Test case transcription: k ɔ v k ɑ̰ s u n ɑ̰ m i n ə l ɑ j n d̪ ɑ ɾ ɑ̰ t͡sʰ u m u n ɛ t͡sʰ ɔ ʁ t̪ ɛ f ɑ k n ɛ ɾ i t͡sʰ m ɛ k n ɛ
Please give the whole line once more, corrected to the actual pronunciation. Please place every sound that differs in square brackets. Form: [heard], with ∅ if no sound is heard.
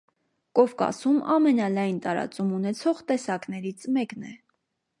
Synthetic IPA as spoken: k ɔ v k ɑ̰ s u [m] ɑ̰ m [ɛ] n [ɑ] l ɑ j n [t̪] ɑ ɾ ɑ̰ [t͡s] u m u n ɛ t͡sʰ ɔ ʁ t̪ ɛ [s] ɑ k n ɛ ɾ i t͡sʰ m ɛ k n ɛ

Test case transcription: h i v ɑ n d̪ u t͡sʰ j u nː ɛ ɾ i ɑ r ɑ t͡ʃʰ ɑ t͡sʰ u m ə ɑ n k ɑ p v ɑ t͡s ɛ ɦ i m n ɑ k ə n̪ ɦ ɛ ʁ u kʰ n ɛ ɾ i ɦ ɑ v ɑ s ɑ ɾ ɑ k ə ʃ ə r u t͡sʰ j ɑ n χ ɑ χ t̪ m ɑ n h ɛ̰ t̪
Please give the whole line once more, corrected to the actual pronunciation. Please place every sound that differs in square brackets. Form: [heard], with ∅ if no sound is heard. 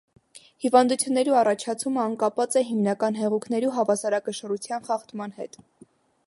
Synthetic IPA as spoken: h i v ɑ n d̪ u t͡sʰ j u nː ɛ ɾ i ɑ r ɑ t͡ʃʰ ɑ t͡sʰ u m ə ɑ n k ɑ p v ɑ t͡s ɛ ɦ i m n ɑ k [ɑ] n̪ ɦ ɛ ʁ u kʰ n ɛ ɾ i ɦ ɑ v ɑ s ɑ ɾ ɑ k ə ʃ ə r u t͡sʰ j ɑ n χ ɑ χ t̪ m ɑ n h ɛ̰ t̪

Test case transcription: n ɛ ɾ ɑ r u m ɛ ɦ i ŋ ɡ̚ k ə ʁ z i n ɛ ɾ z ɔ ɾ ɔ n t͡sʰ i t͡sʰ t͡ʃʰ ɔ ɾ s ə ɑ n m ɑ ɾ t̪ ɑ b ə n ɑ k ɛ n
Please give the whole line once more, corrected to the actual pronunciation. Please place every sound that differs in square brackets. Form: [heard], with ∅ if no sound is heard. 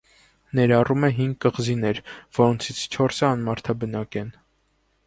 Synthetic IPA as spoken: n ɛ ɾ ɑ r u m ɛ ɦ i ŋ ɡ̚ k ə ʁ z i n ɛ ɾ [v] ɔ ɾ ɔ n t͡sʰ i t͡sʰ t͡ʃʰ ɔ ɾ s ə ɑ n m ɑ ɾ [t̪ʰ] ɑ b ə n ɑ k ɛ n

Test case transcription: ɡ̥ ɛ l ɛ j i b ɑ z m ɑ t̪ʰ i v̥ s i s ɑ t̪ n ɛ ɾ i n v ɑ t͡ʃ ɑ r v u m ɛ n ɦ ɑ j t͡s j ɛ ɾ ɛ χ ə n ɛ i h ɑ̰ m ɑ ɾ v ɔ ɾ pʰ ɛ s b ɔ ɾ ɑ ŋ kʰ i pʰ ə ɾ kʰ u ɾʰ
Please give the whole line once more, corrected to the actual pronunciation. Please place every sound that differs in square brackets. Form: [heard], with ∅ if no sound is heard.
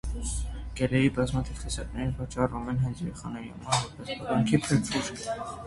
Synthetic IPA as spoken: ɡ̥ ɛ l ɛ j i b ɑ z m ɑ t̪ʰ i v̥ [χ] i s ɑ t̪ n ɛ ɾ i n v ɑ t͡ʃ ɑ r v u m ɛ n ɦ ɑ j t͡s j ɛ ɾ ɛ χ [ɑ] n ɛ i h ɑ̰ m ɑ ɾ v ɔ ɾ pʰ ɛ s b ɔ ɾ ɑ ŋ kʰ i pʰ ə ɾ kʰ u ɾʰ

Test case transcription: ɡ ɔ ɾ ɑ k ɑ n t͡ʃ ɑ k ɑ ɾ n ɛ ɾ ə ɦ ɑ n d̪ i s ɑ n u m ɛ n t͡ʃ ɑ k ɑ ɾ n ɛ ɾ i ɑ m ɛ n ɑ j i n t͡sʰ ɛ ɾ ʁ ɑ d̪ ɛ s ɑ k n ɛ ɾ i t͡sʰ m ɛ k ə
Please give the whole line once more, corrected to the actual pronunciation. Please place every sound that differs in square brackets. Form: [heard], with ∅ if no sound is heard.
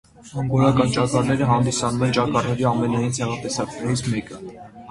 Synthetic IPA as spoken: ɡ ɔ ɾ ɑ k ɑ n t͡ʃ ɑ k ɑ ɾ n ɛ ɾ ə ɦ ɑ n d̪ i s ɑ n u m ɛ n t͡ʃ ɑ k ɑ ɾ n ɛ ɾ i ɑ m ɛ n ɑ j i n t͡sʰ ɛ [∅] ʁ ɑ [t̪] ɛ s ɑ k n ɛ ɾ i t͡sʰ m ɛ k ə

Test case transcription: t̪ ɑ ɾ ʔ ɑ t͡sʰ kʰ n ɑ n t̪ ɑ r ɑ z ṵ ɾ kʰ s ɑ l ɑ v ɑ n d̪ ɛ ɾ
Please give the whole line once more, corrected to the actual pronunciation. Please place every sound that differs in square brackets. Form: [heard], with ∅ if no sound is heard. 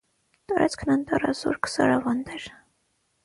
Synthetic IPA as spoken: t̪ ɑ ɾ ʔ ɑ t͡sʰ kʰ n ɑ n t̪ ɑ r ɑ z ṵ ɾ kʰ s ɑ [ɾ] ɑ v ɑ n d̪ ɛ ɾ

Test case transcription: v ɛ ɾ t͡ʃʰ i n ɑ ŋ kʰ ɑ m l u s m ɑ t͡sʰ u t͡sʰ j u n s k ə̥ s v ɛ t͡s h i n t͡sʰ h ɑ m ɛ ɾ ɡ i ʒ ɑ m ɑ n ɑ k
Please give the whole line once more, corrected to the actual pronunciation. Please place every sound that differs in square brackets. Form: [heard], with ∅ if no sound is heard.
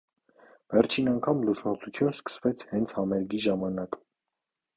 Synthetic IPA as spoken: v ɛ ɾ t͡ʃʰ i n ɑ ŋ kʰ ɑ m l u s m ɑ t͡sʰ u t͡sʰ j u n s k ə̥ s v ɛ [t͡sʰ] h [ɛ] n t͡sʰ h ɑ m ɛ ɾ ɡ i ʒ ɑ m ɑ n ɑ k

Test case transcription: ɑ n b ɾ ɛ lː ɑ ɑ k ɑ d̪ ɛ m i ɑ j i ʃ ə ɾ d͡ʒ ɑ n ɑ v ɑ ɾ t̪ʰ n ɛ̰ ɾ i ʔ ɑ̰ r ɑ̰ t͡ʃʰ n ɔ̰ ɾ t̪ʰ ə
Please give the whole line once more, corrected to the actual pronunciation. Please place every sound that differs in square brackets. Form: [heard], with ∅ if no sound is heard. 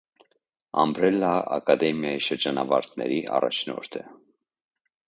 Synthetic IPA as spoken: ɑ [m] b ɾ ɛ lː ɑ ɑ k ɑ d̪ ɛ m [j] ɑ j i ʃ ə ɾ d͡ʒ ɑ n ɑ v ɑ ɾ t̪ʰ n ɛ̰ ɾ i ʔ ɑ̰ r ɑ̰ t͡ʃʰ n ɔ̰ ɾ t̪ʰ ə

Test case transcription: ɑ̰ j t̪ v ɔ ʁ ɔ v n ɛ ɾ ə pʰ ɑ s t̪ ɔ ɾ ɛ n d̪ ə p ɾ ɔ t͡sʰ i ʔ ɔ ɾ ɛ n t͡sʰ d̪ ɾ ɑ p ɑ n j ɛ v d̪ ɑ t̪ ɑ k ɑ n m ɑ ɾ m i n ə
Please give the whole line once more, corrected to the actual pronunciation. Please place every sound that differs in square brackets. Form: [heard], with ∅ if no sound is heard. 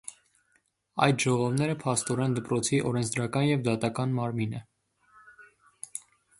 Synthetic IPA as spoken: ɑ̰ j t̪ [ʒ] ɔ ʁ ɔ v n ɛ ɾ ə pʰ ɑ s t̪ ɔ ɾ ɛ n d̪ ə p ɾ ɔ t͡sʰ i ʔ ɔ ɾ ɛ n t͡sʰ d̪ ɾ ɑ [k] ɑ n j ɛ v d̪ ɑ t̪ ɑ k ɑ n m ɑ ɾ m i n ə

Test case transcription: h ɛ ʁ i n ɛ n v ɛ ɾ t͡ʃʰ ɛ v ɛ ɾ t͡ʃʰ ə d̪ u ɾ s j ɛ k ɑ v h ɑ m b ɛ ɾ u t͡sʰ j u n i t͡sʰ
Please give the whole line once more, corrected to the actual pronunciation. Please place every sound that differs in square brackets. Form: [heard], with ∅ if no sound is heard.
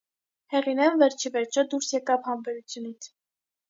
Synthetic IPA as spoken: h ɛ ʁ i n ɛ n v ɛ ɾ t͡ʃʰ [i] v ɛ ɾ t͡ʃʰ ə d̪ u ɾ s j ɛ k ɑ v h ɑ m b ɛ ɾ u t͡sʰ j u n i t͡sʰ

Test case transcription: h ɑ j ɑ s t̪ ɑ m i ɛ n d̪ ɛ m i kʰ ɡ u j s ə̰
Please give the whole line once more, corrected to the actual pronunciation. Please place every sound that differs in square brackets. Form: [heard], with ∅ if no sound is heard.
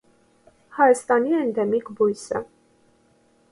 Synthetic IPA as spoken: h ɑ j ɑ s t̪ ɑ [n] i ɛ n d̪ ɛ m i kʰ [b] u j s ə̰

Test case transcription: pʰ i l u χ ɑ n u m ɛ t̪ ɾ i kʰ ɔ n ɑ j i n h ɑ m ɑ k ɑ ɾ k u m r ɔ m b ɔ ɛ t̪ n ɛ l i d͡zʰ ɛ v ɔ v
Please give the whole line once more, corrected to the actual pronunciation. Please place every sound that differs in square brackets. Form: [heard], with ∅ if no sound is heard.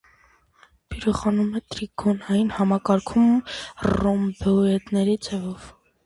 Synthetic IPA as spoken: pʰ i [ɾ] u χ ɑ n u m ɛ t̪ ɾ i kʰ ɔ n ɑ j i n h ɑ m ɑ k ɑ ɾ [kʰ] u m r ɔ m b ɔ ɛ t̪ n ɛ [ɾ] i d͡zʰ ɛ v ɔ v

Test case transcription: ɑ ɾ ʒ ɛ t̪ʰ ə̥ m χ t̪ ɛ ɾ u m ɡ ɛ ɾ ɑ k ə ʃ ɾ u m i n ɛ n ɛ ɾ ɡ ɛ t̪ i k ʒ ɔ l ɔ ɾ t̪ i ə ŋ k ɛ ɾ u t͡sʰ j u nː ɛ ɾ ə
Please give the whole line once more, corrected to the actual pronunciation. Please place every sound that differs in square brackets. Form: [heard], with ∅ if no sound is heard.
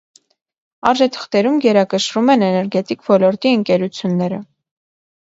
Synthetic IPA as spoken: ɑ ɾ ʒ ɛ t̪ʰ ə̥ [∅] χ t̪ ɛ ɾ u m ɡ ɛ ɾ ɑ k ə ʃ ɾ u m [ɛ] n ɛ n ɛ ɾ ɡ ɛ t̪ i k [v] ɔ l ɔ ɾ t̪ i ə ŋ k ɛ ɾ u t͡sʰ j u nː ɛ ɾ ə

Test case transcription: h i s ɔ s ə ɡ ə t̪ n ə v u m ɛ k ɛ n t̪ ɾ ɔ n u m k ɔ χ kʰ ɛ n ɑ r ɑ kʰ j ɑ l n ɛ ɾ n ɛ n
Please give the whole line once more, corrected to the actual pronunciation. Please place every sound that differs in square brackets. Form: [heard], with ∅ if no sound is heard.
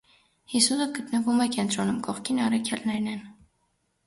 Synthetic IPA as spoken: h i s [u] s ə ɡ ə t̪ n ə v u m ɛ k ɛ n t̪ ɾ ɔ n u m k ɔ χ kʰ [i] n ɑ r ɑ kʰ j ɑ l n ɛ ɾ n ɛ n

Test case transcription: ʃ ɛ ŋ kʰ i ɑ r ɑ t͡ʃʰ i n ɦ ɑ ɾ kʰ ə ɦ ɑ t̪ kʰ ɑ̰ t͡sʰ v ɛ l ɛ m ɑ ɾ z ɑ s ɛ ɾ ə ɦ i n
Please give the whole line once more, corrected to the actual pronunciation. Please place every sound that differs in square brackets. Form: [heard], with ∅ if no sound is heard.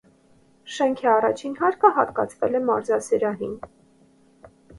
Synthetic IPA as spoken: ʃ ɛ ŋ kʰ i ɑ r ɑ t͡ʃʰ i n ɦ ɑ ɾ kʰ ə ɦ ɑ t̪ [k] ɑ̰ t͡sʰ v ɛ l ɛ m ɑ ɾ z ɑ s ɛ ɾ [ɑ] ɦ i n

